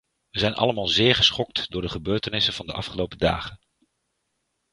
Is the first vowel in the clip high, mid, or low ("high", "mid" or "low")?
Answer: mid